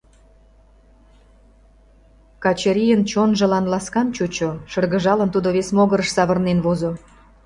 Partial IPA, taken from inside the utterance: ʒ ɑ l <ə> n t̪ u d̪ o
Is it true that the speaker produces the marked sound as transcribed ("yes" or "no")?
yes